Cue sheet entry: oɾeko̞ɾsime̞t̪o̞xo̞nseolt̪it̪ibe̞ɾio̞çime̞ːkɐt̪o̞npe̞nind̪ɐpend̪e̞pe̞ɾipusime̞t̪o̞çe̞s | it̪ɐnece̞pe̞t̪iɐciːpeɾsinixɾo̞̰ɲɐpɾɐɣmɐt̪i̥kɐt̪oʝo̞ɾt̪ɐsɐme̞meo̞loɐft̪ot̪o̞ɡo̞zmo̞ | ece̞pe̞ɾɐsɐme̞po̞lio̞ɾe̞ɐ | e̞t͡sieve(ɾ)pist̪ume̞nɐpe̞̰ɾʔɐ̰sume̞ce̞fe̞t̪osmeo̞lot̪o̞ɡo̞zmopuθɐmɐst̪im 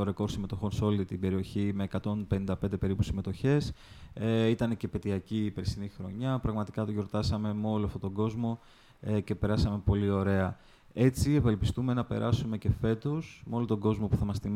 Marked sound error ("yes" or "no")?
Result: yes